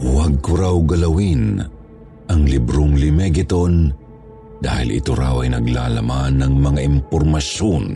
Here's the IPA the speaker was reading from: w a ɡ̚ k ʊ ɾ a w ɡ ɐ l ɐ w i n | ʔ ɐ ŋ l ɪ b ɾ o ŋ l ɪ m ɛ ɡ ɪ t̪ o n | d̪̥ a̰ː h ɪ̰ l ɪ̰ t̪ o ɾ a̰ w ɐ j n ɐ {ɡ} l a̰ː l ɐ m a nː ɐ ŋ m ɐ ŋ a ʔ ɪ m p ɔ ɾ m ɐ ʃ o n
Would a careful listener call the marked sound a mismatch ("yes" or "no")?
no